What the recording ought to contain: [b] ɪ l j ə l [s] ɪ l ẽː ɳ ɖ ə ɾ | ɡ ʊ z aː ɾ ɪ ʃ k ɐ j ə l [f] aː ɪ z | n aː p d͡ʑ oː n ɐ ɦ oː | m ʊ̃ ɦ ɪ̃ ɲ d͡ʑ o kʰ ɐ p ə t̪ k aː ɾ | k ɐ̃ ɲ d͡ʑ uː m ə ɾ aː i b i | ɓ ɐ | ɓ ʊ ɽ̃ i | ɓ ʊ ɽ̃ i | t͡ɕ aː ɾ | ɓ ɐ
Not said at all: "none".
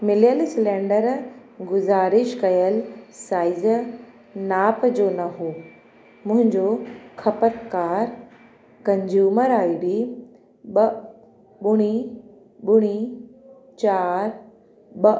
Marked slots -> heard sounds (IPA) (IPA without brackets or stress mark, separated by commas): m, s, s